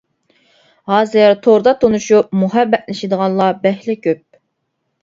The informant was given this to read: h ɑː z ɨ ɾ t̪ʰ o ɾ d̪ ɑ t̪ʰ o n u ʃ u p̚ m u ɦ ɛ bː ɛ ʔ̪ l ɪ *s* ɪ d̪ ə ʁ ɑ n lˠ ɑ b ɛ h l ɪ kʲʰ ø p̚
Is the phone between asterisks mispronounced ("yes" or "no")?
yes